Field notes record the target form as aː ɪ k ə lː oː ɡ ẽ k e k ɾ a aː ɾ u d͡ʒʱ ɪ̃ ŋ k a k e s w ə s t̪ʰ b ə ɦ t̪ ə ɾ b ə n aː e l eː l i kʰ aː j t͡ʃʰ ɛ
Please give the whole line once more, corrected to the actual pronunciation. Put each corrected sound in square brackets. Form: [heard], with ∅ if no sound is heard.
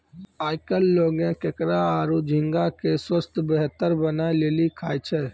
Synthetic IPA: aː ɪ k ə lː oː ɡ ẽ k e k ɾ a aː ɾ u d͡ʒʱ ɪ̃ ŋ [ɡ] a k e s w ə s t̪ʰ b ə ɦ t̪ ə ɾ b ə n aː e l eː l i kʰ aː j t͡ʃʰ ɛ